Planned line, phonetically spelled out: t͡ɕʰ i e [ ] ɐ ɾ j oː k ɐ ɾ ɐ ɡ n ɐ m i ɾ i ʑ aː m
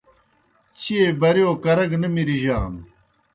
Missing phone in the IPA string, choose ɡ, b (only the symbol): b